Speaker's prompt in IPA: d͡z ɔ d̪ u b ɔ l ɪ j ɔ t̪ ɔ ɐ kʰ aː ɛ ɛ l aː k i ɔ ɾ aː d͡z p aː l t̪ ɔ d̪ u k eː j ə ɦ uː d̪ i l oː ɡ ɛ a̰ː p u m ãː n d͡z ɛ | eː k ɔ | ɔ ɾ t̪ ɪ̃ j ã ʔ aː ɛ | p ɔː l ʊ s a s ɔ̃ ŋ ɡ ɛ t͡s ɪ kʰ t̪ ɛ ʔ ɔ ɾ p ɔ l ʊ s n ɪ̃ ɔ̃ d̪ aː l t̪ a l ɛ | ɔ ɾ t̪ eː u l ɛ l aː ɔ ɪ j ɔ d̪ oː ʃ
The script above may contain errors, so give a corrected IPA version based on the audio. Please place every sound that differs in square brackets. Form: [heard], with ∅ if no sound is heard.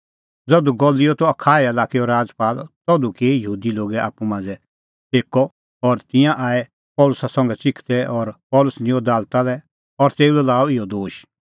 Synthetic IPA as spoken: d͡z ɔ d̪ u [ɡ] ɔ l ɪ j ɔ t̪ ɔ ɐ kʰ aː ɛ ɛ l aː k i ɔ ɾ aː d͡z p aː l t̪ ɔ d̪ u k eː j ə ɦ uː d̪ i l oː ɡ ɛ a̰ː p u m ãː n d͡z ɛ | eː k ɔ | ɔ ɾ t̪ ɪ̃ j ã ʔ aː ɛ | p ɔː l ʊ s a s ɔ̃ ŋ ɡ ɛ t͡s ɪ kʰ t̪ ɛ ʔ ɔ ɾ p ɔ l ʊ s n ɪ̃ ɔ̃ d̪ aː l t̪ a l ɛ | ɔ ɾ t̪ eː u l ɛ l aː ɔ ɪ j ɔ d̪ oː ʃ